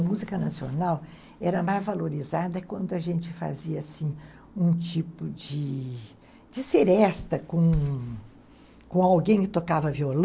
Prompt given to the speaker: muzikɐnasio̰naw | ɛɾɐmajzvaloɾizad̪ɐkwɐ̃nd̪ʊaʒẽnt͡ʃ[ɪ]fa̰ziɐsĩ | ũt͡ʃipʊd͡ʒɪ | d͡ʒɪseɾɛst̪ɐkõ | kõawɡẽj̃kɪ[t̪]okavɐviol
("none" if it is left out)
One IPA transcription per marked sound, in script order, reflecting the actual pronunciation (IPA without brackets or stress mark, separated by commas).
ɪ, t̪